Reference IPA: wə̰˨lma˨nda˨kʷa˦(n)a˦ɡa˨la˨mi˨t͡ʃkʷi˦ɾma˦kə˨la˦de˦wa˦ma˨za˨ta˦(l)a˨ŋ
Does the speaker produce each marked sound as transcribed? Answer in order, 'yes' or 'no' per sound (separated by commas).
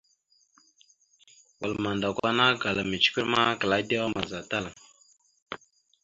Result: yes, yes